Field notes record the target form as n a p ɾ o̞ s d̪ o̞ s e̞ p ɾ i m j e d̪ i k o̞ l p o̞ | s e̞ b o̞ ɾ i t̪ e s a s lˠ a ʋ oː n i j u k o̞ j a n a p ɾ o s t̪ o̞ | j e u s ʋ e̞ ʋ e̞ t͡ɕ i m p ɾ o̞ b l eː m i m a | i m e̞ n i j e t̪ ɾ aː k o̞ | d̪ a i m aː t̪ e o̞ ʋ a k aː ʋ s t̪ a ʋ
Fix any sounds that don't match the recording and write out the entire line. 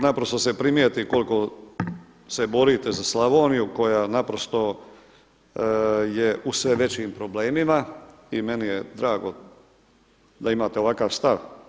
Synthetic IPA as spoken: n a p ɾ o̞ s t̪ o̞ s e̞ p ɾ i m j e t̪ i k o̞ l k o̞ | s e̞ b o̞ ɾ i t̪ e z a s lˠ a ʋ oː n i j u k o̞ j a n a p ɾ o s t̪ o̞ | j e u s ʋ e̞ ʋ e̞ t͡ɕ i m p ɾ o̞ b l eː m i m a | i m e̞ n i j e d̪ ɾ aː ɡ o̞ | d̪ a i m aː t̪ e o̞ ʋ a k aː ʋ s t̪ a ʋ

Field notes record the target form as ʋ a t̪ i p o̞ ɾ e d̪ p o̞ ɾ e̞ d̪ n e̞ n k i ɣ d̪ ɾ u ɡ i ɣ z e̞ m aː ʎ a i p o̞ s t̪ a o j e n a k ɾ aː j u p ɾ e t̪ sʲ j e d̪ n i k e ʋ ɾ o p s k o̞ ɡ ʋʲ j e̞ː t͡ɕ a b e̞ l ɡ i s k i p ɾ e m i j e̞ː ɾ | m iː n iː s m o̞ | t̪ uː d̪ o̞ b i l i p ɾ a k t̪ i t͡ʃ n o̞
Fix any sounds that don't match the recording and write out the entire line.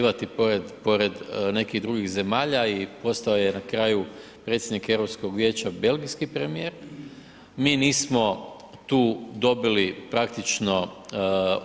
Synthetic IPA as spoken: ʋ a t̪ i p o̞ ɾ e d̪ p o̞ ɾ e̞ d̪ n e̞ k i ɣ d̪ ɾ u ɡ i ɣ z e̞ m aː ʎ a i p o̞ s t̪ a o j e n a k ɾ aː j u p ɾ e t̪ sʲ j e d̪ n i k e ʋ ɾ o p s k o̞ ɡ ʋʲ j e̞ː t͡ɕ a b e̞ l ɡ i s k i p ɾ e m i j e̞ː ɾ | m iː n iː s m o̞ | t̪ uː d̪ o̞ b i l i p ɾ a k t̪ i t͡ʃ n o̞

